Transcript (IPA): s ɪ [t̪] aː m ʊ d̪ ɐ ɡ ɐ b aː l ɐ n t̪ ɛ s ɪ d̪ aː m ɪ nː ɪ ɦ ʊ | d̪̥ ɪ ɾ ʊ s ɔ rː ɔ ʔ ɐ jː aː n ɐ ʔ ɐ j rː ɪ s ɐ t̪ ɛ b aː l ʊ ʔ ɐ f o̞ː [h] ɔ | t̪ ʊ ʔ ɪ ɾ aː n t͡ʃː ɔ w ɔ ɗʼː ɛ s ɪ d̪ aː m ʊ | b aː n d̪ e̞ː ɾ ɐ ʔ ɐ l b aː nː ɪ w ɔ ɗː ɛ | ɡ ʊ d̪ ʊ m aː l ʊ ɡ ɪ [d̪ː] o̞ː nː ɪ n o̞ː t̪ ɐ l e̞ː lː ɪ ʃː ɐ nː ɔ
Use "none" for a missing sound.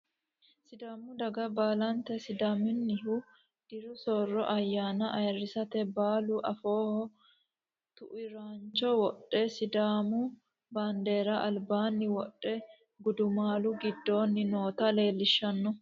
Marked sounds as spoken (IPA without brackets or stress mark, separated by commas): d̪, h, d̪ː